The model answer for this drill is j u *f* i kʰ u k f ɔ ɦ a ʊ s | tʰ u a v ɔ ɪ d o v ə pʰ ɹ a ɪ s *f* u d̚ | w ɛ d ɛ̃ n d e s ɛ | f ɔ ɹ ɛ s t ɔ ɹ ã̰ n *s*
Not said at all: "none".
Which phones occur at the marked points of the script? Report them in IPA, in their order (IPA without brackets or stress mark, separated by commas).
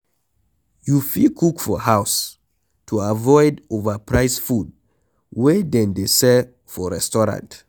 f, f, t